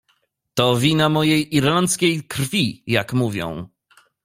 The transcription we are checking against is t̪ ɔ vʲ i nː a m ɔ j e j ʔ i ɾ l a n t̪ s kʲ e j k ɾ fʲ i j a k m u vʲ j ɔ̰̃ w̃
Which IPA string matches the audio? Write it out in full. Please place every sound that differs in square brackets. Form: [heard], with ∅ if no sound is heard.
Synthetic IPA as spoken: t̪ ɔ vʲ i [n] a m ɔ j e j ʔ i ɾ l a n t̪ s kʲ e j k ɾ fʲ i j a k m u vʲ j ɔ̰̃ w̃